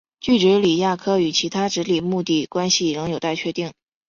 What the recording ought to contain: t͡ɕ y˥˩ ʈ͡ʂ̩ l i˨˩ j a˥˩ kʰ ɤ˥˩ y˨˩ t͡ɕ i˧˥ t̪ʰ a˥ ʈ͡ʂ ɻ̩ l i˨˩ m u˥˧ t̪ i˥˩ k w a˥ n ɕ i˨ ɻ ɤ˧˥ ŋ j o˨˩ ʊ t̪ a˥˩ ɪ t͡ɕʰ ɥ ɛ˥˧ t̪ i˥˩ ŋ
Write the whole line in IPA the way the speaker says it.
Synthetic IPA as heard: t͡ɕ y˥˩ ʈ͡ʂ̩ l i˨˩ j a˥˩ kʰ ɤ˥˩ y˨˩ t͡ɕʰ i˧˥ t̪ʰ a˥ ʈ͡ʂ ɻ̩ l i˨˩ m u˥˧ t̪ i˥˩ k w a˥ n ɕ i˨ ɻ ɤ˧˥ ŋ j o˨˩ ʊ t̪ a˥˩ ɪ t͡ɕʰ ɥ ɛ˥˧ t̪ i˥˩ ŋ